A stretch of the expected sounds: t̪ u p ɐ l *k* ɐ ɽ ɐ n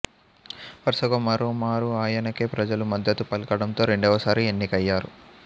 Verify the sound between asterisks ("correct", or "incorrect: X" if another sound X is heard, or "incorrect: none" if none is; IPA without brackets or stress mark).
correct